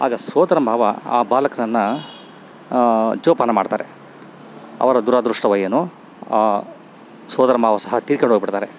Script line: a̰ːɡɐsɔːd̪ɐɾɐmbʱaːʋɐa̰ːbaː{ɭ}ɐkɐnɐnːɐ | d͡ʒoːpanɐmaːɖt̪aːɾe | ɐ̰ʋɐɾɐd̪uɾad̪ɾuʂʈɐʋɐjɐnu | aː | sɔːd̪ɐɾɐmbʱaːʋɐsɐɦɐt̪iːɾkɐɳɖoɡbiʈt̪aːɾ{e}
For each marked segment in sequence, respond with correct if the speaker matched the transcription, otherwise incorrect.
incorrect: l, correct

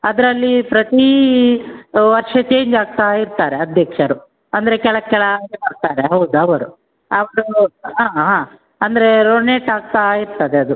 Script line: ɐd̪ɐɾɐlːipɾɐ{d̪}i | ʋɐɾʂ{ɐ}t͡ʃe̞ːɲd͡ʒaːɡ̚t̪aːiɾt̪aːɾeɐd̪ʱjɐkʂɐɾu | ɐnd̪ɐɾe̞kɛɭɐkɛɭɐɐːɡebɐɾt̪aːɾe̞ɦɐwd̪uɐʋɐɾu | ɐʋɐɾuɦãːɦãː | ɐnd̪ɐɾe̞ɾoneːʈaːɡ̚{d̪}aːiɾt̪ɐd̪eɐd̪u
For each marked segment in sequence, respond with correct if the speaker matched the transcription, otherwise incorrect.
incorrect: t̪, correct, incorrect: t̪

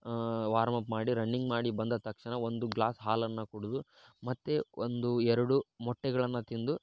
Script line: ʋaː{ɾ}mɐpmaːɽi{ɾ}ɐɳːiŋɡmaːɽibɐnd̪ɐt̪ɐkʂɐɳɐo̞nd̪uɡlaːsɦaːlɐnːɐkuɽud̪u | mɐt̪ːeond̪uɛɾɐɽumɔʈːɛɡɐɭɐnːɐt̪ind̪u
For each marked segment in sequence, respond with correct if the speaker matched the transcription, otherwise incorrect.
correct, correct

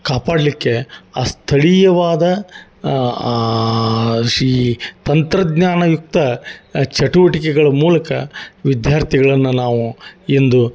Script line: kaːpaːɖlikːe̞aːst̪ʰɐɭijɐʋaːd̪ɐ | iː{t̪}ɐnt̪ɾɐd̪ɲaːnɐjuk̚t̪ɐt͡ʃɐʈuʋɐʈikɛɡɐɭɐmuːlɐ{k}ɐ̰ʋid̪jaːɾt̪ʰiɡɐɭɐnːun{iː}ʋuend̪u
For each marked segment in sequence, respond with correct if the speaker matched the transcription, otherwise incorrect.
correct, correct, incorrect: aː

